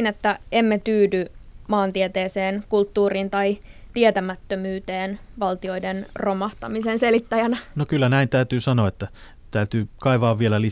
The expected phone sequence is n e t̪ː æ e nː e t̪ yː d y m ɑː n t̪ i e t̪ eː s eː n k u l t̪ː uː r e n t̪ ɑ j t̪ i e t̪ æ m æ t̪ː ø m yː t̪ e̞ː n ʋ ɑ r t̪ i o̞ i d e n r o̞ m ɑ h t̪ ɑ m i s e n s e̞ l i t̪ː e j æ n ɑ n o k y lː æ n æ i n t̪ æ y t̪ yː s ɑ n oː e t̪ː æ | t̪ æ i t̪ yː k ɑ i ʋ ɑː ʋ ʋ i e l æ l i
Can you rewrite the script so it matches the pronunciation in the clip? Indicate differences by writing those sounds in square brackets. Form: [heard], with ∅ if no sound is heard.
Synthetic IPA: n e t̪ː æ e [mː] e t̪ yː d y m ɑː n t̪ i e t̪ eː s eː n k u l t̪ː uː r [i] n t̪ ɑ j t̪ i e t̪ æ m æ t̪ː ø m yː t̪ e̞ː n ʋ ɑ [l] t̪ i o̞ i d e n r o̞ m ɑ h t̪ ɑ m i s e n s e̞ l i t̪ː [æ] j æ n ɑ n o k y lː æ n æ i n t̪ æ y t̪ yː s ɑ n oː e t̪ː æ | t̪ æ [y] t̪ yː k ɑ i ʋ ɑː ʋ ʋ i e l æ l i